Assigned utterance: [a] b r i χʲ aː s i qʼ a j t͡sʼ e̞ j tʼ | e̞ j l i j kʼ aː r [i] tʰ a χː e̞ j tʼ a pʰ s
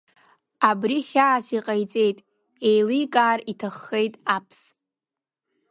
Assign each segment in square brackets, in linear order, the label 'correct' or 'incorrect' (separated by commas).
correct, correct